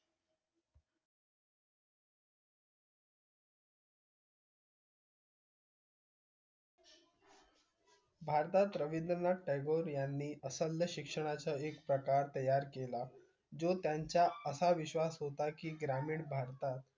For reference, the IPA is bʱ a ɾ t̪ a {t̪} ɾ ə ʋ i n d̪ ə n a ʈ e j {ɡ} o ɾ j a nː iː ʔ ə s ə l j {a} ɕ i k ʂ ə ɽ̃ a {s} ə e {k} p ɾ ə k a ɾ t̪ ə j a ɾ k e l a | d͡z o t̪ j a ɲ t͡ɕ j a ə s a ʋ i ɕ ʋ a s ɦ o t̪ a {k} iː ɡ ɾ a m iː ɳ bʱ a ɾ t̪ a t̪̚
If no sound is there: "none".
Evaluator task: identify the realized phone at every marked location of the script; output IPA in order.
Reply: t̪, ɡ, ə, t͡s, k, k

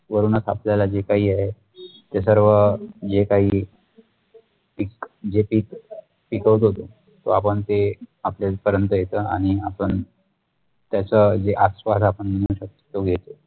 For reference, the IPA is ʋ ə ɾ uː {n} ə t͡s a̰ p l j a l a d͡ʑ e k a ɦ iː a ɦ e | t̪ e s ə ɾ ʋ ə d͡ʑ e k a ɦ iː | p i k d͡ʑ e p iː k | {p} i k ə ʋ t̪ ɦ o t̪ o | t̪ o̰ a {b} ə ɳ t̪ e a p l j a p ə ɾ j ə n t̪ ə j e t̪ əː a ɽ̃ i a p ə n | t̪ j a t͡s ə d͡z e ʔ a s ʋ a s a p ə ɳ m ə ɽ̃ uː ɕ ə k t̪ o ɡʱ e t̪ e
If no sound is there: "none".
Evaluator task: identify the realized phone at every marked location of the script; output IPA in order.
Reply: n, p, p

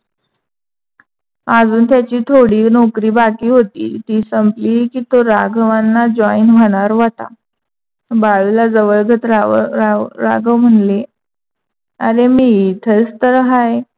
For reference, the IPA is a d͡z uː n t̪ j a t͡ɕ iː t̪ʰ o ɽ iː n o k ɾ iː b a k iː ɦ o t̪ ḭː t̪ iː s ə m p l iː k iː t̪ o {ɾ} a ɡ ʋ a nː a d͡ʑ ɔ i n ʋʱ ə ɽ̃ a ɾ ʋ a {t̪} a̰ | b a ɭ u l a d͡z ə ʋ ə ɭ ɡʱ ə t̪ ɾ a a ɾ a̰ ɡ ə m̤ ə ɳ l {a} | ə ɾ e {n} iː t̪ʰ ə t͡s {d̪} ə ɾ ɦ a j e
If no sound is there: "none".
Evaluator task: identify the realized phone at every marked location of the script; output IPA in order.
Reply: ɾ, t̪, e, m, t̪

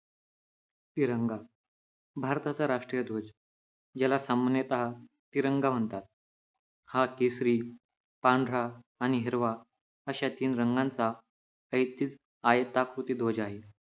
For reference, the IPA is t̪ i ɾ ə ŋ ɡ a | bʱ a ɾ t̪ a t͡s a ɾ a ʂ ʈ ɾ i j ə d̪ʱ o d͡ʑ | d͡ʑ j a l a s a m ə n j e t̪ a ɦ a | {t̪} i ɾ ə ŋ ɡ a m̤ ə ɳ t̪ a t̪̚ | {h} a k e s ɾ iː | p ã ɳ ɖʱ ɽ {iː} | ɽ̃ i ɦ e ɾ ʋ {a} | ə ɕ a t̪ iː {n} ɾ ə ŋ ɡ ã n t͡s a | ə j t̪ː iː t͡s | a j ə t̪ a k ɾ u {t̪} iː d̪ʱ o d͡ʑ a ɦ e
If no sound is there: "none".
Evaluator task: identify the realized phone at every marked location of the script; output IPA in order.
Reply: t̪, h, aː, a, n, t̪

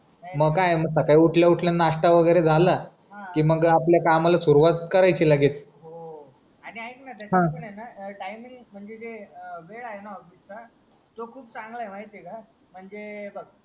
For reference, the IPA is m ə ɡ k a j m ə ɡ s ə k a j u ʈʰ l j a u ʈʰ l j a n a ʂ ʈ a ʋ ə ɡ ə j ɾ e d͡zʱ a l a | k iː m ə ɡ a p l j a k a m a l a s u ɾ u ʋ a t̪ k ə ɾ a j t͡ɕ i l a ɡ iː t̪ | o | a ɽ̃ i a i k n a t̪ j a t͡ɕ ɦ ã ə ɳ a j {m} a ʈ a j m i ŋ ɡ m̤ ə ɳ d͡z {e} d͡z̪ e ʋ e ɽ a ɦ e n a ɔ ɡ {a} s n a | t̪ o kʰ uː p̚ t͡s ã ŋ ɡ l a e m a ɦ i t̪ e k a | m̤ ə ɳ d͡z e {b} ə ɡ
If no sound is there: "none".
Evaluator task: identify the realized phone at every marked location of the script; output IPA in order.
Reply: n, e, i, b

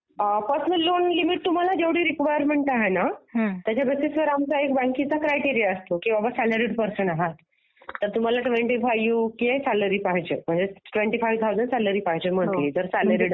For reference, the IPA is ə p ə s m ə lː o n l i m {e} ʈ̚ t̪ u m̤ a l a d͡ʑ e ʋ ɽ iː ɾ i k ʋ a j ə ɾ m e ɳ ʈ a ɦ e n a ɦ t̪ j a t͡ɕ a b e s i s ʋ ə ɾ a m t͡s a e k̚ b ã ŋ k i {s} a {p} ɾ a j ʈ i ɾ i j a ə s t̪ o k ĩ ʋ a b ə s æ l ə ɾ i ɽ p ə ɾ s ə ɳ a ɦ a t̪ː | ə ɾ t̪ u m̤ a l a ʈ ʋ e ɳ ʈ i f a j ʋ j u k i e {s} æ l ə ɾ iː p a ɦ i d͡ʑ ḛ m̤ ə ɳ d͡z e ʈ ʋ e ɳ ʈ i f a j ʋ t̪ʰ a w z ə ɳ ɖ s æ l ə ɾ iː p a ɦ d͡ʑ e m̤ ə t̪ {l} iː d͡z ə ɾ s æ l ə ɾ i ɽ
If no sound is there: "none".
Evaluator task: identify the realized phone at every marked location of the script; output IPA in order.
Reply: i, t͡s, k, s, l

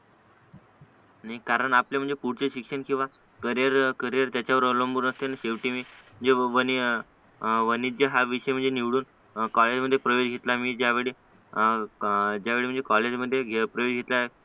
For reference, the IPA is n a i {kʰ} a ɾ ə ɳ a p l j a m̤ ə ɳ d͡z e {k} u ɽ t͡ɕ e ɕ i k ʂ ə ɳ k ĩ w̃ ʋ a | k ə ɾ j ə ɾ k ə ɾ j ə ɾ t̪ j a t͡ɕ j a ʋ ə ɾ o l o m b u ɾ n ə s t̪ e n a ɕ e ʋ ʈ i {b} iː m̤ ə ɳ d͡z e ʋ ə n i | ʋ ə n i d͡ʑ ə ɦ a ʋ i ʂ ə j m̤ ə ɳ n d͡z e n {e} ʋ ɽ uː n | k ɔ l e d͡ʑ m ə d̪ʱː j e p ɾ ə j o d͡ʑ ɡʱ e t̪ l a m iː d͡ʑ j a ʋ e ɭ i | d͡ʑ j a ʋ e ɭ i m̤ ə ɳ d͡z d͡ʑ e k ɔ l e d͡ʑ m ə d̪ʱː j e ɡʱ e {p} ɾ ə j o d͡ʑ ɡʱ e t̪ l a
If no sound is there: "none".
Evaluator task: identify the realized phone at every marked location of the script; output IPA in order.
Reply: k, p, m, i, p

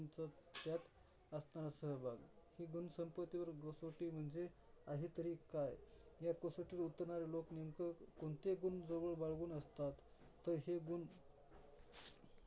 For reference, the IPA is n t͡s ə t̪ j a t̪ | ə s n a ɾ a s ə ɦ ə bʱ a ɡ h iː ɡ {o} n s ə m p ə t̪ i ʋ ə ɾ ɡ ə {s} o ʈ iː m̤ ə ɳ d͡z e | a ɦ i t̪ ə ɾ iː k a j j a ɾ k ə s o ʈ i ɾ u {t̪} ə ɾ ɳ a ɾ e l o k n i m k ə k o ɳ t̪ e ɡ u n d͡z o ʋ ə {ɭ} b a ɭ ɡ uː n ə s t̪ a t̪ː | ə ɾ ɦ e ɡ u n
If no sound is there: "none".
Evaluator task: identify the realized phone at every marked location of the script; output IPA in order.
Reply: u, s, t̪, ɭ

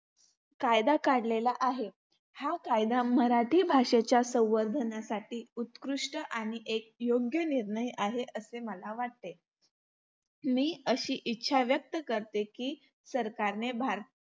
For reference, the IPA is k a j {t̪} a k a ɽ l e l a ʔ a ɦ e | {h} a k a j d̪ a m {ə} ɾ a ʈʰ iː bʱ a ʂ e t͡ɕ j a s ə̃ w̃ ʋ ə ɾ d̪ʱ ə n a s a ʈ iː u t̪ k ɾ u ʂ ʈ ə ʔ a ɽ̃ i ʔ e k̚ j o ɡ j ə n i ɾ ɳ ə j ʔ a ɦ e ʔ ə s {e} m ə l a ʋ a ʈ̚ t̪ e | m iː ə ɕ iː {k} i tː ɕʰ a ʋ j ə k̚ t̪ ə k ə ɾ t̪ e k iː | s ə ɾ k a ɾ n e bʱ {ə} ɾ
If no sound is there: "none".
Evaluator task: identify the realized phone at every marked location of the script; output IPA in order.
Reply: d̪, h, ə, e, ʔ, a

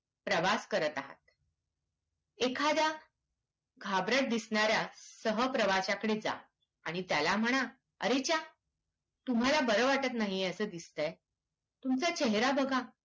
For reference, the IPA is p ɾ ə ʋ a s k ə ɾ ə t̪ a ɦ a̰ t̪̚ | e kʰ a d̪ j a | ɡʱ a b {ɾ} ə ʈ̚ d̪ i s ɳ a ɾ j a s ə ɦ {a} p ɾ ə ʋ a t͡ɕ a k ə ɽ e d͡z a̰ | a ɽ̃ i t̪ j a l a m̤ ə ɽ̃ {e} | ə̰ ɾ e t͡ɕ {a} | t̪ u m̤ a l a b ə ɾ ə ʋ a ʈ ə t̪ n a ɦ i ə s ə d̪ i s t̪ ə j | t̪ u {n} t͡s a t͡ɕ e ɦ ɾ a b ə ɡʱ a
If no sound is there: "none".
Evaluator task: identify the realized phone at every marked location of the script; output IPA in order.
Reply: ɾ, ə, a, a, m

